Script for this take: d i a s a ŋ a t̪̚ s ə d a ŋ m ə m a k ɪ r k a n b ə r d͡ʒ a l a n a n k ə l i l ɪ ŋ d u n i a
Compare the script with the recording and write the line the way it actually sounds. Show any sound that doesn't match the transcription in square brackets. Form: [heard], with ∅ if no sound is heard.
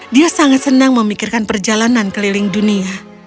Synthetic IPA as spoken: d i a s a ŋ a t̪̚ s ə [n] a ŋ m ə m [i] k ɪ r k a n [p] ə r d͡ʒ a l a n a n k ə l i l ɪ ŋ d u n i a